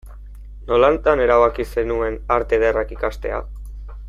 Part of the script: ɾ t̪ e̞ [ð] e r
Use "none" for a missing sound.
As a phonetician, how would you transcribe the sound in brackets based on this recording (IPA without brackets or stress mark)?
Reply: ð